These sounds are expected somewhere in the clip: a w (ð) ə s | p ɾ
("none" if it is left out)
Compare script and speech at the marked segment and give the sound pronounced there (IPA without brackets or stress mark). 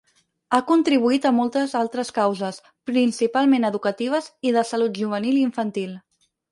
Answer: z